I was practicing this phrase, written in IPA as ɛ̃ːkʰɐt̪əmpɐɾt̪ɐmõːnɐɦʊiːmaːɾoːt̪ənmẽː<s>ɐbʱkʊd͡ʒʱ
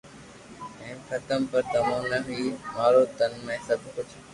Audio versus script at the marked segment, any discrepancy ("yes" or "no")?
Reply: no